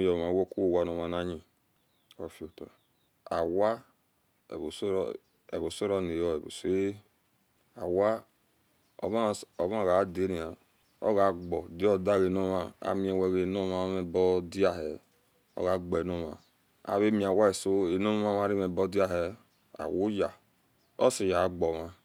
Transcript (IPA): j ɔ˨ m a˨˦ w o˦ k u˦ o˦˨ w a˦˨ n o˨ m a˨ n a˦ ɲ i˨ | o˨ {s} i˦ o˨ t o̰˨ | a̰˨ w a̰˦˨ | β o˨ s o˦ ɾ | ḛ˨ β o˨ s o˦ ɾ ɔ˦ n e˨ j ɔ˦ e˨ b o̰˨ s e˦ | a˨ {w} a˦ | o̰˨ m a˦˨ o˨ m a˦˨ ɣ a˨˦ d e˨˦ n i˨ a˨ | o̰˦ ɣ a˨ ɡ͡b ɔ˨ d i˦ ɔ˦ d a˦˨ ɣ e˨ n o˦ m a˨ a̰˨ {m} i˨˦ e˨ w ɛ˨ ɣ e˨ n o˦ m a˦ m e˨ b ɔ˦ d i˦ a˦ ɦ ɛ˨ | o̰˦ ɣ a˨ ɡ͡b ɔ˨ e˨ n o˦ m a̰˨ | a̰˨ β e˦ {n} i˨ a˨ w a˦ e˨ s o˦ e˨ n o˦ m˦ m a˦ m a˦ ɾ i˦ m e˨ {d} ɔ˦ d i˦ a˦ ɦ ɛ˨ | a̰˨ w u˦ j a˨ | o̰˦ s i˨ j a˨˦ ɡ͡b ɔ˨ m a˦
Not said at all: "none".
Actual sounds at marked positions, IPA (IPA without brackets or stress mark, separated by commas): f, w, m, m, b